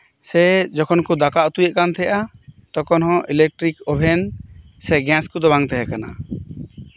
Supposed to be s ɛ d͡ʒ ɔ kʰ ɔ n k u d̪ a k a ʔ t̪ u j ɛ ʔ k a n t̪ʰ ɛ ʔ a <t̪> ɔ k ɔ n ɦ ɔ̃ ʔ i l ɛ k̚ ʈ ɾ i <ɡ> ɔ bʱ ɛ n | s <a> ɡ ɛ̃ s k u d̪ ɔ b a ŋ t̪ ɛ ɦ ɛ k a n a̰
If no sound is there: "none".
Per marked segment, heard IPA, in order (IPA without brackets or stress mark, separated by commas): t̪, k, ɛ